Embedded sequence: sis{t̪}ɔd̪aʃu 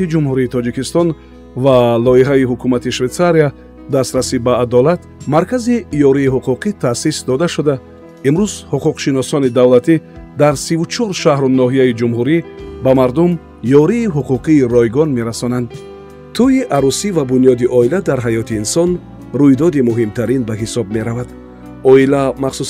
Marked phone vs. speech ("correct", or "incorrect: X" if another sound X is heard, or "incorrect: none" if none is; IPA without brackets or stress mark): incorrect: d̪